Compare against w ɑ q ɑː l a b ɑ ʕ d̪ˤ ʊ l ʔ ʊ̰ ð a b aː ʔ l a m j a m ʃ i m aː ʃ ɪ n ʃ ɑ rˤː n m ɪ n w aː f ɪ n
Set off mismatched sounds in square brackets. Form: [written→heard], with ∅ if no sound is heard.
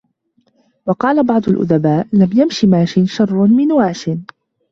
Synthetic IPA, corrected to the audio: w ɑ q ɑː l a b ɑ ʕ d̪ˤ ʊ l ʔ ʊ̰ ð a b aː ʔ l a m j a m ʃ i m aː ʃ ɪ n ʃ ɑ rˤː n m ɪ n w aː [f→ʃ] ɪ n